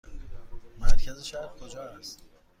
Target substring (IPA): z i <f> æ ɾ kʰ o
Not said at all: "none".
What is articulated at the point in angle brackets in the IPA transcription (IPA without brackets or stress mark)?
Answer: ʃ